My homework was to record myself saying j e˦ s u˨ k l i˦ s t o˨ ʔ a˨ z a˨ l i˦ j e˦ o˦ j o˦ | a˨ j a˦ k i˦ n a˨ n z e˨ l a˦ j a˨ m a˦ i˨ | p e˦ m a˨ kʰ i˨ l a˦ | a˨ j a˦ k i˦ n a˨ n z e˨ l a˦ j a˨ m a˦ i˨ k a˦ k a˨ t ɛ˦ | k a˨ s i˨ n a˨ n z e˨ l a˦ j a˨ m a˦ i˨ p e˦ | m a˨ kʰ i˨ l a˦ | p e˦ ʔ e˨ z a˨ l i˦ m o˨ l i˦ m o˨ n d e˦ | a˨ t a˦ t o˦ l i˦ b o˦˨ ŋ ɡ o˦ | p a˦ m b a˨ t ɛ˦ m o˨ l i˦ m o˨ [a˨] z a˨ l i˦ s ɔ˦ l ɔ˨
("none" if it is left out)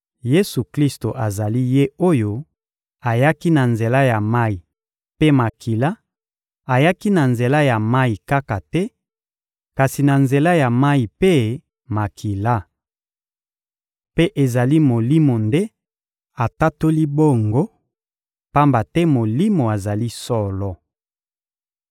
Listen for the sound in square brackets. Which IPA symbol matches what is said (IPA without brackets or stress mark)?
a˨